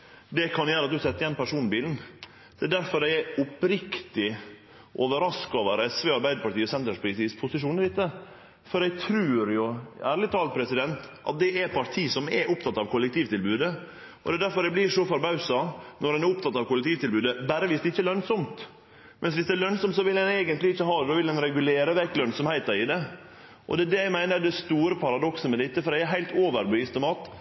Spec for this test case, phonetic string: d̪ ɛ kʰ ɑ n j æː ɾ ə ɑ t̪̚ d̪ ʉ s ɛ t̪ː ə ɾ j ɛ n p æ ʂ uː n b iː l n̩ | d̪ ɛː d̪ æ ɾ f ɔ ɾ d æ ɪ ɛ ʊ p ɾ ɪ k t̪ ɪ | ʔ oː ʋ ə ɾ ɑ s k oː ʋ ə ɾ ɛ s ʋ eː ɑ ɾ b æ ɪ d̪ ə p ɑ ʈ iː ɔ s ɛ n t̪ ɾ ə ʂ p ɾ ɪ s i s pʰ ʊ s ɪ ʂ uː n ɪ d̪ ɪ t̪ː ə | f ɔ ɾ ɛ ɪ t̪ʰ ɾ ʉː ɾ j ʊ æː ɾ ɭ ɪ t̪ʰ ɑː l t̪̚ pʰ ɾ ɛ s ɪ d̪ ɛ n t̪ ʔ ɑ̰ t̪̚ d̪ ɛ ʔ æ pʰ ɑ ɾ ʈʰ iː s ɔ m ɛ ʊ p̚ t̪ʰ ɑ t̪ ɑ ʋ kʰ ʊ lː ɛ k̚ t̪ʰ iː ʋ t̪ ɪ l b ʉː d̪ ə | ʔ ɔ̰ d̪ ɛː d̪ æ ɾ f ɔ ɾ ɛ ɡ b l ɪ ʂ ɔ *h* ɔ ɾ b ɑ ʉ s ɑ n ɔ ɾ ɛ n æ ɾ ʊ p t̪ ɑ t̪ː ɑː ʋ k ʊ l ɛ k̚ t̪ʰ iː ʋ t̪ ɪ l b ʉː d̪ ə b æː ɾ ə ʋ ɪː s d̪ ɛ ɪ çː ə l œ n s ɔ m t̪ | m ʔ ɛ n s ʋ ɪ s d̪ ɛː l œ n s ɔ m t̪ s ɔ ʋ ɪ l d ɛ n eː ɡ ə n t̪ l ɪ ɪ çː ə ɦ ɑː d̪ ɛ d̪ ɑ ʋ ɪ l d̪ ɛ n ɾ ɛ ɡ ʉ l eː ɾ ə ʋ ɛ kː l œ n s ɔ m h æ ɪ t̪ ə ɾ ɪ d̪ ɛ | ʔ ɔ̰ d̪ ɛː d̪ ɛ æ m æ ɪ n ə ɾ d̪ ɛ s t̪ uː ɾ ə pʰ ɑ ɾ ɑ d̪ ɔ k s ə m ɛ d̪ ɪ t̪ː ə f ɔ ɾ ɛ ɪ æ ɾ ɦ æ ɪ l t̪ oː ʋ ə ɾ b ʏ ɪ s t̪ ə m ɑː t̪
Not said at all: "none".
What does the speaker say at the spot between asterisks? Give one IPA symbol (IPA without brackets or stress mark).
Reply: f